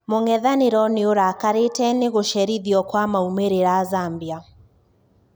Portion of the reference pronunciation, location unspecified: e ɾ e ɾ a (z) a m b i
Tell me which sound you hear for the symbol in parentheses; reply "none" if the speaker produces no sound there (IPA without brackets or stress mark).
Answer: z